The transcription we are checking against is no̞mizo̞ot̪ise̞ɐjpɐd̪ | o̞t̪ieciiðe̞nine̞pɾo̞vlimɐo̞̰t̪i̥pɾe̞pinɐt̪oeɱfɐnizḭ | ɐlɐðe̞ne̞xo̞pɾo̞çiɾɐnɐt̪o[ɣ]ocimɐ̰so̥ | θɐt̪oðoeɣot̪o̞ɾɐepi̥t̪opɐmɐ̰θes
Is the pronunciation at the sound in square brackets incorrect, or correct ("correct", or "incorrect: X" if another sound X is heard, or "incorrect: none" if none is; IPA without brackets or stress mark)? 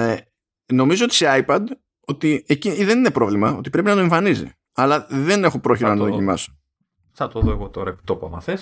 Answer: incorrect: ð